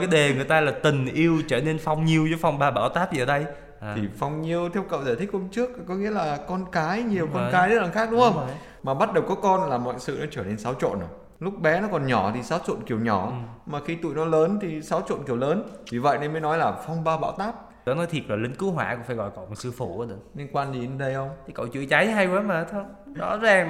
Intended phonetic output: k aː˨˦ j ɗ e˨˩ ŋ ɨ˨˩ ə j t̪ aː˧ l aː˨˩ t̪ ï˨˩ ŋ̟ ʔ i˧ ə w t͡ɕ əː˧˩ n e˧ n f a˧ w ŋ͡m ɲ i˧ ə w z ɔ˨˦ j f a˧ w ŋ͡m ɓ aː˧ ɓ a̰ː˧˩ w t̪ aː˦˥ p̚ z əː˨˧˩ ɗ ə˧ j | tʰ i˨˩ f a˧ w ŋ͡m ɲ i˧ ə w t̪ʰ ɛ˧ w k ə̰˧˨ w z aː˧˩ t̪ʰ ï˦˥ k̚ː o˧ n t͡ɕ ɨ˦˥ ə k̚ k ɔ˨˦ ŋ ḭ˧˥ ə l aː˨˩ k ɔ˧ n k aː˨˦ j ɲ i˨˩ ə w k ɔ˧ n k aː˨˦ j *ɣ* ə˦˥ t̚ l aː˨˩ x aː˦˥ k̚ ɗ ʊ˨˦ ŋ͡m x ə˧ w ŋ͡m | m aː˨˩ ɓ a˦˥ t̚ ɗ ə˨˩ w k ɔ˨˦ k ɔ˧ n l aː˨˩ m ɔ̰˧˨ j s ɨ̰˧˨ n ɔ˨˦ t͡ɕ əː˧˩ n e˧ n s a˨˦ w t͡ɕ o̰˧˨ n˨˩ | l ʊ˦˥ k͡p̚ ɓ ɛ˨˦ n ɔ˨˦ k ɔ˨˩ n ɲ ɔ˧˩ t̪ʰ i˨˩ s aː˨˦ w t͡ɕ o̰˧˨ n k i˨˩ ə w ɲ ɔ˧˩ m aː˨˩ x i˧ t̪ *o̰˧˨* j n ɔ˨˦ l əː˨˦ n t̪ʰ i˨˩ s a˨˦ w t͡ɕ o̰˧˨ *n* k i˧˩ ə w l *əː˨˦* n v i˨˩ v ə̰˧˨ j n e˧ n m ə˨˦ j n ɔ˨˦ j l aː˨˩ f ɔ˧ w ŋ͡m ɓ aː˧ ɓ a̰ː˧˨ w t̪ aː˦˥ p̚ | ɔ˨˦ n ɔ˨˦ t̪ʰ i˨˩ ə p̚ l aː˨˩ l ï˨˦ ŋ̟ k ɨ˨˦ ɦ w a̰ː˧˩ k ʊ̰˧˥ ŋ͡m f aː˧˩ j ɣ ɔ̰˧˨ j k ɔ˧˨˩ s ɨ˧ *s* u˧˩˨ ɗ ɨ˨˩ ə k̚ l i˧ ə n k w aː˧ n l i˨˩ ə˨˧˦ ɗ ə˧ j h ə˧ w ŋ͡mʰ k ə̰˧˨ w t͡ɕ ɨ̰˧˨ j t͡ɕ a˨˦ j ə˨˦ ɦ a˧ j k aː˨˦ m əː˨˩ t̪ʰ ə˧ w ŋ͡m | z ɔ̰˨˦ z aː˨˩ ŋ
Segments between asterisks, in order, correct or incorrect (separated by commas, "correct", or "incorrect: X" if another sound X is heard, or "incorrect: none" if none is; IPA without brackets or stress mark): incorrect: z, incorrect: ṵ˧˨, correct, correct, incorrect: f